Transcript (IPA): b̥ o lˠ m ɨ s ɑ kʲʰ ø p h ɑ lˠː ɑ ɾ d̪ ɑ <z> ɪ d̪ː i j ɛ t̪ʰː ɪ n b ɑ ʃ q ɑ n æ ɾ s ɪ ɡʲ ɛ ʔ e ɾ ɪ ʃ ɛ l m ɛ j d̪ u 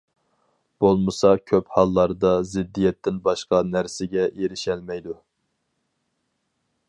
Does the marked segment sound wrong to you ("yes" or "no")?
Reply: no